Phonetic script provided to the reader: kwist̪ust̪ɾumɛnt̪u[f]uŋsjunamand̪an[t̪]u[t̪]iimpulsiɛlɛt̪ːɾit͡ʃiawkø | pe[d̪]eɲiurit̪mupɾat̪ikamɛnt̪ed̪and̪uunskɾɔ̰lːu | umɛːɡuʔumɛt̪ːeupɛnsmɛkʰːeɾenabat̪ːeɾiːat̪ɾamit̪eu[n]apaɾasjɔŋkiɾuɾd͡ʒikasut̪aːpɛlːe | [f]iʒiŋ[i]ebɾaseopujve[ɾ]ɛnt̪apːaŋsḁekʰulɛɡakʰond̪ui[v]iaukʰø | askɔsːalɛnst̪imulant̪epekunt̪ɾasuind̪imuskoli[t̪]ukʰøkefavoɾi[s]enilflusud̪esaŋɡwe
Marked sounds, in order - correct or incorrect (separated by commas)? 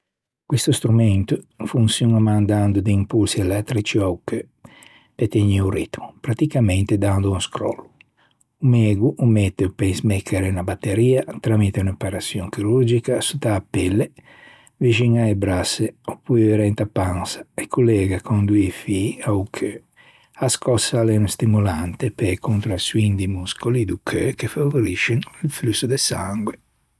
correct, incorrect, incorrect, incorrect, correct, incorrect, incorrect, correct, incorrect, incorrect, incorrect